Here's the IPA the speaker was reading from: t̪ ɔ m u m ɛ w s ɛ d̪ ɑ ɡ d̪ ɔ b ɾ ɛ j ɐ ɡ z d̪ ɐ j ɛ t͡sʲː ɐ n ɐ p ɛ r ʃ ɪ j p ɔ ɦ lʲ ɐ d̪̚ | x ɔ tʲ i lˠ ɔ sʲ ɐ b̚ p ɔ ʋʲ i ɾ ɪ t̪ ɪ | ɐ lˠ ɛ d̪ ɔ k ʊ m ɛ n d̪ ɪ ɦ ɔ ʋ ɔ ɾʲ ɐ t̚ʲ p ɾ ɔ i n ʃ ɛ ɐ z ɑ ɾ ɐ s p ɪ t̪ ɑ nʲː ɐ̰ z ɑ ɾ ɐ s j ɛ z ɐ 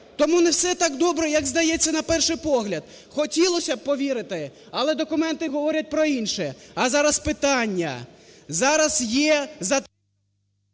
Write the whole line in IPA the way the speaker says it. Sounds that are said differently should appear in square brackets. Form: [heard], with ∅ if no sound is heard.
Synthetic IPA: t̪ ɔ m u [n] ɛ w s ɛ [t̪] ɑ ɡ d̪ ɔ b ɾ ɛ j ɐ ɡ z d̪ ɐ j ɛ t͡sʲː ɐ n ɐ p ɛ r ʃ ɪ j p ɔ ɦ lʲ ɐ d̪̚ | x ɔ tʲ i lˠ ɔ sʲ ɐ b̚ p ɔ ʋʲ i ɾ ɪ t̪ ɪ | ɐ lˠ ɛ d̪ ɔ k ʊ m ɛ n [t̪] ɪ ɦ ɔ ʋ ɔ ɾʲ ɐ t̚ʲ p ɾ ɔ i n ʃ ɛ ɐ z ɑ ɾ ɐ s p ɪ t̪ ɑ nʲː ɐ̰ z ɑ ɾ ɐ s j ɛ z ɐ